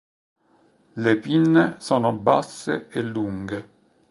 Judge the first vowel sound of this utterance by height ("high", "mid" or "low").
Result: mid